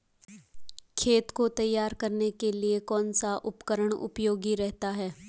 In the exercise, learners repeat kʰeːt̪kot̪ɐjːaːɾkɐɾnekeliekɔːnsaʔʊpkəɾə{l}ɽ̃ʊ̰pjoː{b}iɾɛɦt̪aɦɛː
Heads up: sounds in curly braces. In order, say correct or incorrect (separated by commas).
incorrect, incorrect